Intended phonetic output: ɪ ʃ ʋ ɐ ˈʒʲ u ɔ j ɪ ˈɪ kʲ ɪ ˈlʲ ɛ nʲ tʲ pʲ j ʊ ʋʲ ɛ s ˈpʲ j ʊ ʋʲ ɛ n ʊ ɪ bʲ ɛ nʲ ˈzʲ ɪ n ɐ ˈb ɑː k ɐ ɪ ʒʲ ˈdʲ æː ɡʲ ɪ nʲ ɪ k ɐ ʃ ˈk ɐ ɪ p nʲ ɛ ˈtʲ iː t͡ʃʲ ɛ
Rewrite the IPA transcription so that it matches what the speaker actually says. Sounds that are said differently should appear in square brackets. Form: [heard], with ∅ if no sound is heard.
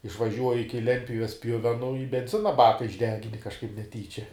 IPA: ɪ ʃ ʋ ɐ ˈʒʲ u ɔ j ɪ ˈɪ kʲ ɪ ˈlʲ ɛ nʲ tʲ pʲ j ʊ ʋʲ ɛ s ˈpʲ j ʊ ʋʲ ɛ n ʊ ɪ bʲ ɛ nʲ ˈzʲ ɪ n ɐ ˈb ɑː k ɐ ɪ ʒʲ ˈdʲ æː ɡʲ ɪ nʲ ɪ k ɐ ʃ ˈk ɐ ɪ p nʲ ɛ ˈtʲ iː t͡ʃʲ ɛ